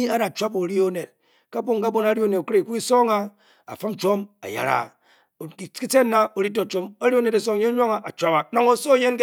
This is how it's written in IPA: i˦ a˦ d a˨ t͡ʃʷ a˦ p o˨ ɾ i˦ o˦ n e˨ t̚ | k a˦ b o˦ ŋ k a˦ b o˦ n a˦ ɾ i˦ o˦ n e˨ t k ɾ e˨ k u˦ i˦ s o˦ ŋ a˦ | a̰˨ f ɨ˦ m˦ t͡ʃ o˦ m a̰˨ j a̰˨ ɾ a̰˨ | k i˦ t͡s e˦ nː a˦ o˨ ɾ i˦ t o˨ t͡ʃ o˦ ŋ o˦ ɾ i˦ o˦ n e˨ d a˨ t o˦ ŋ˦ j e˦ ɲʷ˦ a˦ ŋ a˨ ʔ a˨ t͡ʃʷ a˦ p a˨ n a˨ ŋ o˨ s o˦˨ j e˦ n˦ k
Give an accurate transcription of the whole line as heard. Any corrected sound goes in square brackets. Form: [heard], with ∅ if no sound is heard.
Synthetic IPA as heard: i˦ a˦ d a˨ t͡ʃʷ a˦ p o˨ ɾ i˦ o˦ n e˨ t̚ | k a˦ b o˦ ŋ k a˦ b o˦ n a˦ ɾ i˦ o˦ n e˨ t k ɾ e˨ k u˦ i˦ s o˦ ŋ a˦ | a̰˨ f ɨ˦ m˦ t͡ʃ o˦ m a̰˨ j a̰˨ ɾ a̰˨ | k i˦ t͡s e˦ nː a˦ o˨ ɾ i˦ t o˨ t͡ʃ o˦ [m] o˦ ɾ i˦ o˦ n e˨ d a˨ [s] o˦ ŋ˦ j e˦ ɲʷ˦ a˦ ŋ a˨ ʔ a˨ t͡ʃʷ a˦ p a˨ n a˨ ŋ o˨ s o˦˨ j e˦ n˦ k